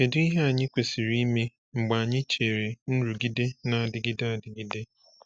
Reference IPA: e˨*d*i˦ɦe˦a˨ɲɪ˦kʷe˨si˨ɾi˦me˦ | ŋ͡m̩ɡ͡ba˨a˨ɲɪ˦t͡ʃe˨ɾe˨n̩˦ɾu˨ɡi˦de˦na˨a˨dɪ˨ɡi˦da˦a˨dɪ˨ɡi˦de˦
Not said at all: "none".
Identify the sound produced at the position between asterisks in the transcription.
d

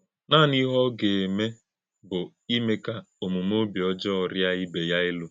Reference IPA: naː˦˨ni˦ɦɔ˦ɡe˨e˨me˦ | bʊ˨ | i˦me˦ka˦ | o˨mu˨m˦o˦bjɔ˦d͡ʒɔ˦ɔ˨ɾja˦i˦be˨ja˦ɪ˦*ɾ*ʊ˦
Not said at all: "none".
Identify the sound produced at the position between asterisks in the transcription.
l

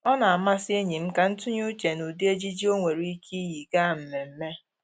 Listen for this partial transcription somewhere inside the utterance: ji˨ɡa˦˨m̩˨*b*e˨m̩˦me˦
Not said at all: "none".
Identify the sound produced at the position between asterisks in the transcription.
m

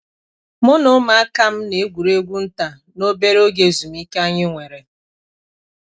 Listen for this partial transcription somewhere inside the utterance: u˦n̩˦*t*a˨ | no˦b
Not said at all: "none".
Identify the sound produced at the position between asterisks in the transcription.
t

